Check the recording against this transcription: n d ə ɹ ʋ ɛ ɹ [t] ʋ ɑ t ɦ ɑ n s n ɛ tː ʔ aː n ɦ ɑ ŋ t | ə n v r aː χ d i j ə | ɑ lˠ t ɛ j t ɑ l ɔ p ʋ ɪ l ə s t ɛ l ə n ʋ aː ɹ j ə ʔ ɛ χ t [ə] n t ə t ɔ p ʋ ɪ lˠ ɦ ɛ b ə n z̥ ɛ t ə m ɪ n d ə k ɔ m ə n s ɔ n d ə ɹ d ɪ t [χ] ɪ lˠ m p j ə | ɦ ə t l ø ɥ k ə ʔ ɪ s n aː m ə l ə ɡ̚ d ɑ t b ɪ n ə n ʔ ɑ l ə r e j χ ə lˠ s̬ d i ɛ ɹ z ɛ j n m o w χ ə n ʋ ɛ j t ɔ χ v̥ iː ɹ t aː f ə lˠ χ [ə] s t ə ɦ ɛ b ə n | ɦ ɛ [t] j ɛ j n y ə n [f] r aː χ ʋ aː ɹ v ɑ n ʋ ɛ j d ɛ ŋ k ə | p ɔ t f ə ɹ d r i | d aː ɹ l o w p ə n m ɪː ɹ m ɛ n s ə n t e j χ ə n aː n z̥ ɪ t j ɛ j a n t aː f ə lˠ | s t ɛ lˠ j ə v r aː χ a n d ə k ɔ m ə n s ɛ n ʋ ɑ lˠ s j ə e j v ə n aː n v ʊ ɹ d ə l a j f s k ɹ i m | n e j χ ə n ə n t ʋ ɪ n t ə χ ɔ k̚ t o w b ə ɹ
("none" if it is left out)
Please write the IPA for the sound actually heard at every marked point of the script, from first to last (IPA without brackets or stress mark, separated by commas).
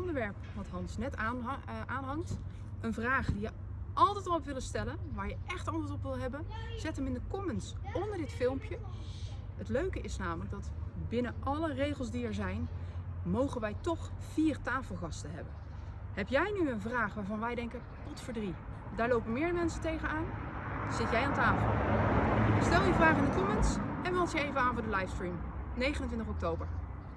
p, ɑ, f, ɑ, p, v